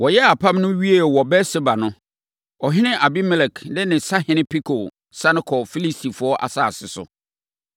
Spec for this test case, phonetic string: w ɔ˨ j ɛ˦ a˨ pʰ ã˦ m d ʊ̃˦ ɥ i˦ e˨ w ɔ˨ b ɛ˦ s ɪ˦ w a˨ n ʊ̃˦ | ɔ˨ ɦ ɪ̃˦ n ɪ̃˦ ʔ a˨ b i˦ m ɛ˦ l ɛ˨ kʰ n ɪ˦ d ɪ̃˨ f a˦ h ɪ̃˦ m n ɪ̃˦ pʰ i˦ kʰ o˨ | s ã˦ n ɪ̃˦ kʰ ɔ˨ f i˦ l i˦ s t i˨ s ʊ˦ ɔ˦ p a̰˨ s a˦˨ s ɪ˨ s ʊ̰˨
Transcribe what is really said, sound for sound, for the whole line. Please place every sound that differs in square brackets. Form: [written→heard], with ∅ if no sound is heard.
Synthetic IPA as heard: w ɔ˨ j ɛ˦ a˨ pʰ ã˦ m [d→n] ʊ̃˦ ɥ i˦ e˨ w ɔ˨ b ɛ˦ s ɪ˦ [w→b] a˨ n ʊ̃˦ | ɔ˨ ɦ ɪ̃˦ n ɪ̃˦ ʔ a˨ b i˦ m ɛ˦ l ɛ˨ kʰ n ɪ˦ [d→n] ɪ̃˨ [f→s] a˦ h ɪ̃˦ [m→∅] n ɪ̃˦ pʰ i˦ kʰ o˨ | s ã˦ n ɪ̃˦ kʰ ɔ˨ f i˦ l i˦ s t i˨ [s→f] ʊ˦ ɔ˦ [p→ʔ] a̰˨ s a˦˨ s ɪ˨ s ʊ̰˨

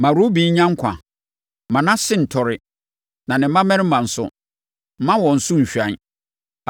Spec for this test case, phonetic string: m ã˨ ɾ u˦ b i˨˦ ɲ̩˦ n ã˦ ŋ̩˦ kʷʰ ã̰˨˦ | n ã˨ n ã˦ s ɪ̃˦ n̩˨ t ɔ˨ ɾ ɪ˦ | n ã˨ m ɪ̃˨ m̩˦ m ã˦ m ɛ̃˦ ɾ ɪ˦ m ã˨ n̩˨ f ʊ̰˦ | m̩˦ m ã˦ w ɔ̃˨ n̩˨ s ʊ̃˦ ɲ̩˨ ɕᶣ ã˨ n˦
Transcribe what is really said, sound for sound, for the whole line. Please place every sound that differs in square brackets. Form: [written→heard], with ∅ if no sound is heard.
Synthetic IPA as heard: m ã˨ ɾ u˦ b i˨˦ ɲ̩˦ [n→ɲ] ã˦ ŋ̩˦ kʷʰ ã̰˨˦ | [n→m] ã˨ n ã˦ s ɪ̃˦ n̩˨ [t→tʰ] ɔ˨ ɾ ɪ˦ | n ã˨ [m→n] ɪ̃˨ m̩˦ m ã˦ m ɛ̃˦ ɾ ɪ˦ m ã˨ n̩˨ [f→s] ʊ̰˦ | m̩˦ m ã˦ w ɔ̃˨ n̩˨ s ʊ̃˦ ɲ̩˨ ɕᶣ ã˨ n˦

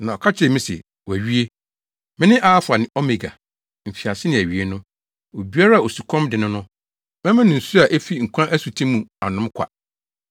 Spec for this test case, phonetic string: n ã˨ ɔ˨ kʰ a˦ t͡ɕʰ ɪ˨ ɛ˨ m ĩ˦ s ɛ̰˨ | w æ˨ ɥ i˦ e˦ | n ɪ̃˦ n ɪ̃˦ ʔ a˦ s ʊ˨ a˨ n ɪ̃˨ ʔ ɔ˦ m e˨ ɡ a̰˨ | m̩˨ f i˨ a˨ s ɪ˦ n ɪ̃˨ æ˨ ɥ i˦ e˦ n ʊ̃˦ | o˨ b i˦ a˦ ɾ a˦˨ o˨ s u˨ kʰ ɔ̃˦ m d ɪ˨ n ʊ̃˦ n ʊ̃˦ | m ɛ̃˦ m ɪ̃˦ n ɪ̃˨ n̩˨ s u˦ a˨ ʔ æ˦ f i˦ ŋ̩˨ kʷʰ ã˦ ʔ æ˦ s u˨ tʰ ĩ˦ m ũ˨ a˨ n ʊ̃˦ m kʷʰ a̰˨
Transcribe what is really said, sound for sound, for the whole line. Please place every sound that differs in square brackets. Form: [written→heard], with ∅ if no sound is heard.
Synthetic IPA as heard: n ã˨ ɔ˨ kʰ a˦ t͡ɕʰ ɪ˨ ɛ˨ m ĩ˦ s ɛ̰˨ | w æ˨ ɥ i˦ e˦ | [n→m] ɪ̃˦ n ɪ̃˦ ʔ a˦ [s→f] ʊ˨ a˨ n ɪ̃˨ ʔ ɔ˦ m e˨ ɡ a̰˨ | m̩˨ f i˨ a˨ s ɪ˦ n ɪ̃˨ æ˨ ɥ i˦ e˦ n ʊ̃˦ | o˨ b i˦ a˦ ɾ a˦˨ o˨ s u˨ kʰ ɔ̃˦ m d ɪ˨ n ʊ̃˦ n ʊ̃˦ | m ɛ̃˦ m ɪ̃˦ n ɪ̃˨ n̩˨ s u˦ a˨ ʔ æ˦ f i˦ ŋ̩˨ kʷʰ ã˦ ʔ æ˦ s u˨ tʰ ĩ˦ m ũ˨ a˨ n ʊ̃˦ m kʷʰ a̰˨

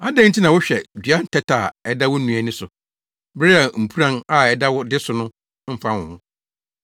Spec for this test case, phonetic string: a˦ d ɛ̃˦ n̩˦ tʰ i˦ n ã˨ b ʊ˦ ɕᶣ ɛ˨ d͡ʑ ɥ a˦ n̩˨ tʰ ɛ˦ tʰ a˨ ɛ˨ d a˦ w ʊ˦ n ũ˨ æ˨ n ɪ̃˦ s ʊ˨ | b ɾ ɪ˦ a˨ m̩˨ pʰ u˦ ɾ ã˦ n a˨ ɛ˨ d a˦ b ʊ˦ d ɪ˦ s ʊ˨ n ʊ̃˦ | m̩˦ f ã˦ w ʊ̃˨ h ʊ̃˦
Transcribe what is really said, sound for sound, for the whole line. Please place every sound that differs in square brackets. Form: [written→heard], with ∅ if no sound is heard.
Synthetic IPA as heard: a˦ d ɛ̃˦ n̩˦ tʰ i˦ n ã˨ [b→w] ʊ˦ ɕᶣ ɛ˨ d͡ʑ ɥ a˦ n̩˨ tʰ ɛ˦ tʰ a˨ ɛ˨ d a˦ w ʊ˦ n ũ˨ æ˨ n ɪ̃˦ s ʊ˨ | b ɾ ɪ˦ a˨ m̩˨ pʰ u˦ ɾ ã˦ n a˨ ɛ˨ d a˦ [b→w] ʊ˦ d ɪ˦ s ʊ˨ n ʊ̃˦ | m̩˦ f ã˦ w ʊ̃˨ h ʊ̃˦

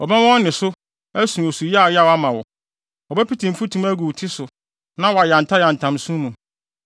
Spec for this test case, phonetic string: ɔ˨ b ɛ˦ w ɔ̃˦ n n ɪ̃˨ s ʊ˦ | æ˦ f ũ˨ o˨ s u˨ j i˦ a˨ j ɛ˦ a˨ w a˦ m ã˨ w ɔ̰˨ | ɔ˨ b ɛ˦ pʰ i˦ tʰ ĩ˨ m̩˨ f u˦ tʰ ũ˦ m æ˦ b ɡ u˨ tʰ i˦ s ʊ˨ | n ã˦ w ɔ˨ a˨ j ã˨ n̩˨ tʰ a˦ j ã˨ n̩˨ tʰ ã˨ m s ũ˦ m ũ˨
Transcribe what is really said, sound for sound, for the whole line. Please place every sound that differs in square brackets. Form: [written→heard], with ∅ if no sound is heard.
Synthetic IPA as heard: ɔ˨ b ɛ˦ w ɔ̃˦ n n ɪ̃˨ s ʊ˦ | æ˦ [f→s] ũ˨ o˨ s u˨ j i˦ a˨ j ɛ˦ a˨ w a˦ m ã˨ w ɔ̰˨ | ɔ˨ b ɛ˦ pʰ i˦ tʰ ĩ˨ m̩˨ f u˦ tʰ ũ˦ m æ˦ [b→∅] ɡ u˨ tʰ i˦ s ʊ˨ | n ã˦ w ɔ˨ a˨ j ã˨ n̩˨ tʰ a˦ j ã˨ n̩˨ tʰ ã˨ m s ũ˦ m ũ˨

